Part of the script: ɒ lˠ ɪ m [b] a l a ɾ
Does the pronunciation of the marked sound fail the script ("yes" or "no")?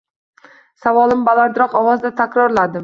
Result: no